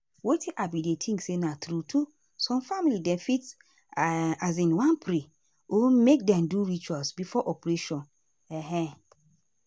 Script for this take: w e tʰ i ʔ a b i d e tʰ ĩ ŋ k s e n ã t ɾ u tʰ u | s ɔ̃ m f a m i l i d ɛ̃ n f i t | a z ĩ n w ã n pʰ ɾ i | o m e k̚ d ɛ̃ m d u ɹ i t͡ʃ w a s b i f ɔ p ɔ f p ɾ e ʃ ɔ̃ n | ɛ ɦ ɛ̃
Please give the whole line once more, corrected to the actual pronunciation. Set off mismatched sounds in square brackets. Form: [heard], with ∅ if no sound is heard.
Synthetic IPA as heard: w e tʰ i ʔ a b i d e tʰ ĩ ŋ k s e n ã t ɾ u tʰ u | s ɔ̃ m f a m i l i d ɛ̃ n f i t | a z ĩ n w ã n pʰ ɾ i | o m e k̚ d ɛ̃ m d u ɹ i t͡ʃ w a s b i f ɔ [ʔ] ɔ [∅] p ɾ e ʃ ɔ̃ n | ɛ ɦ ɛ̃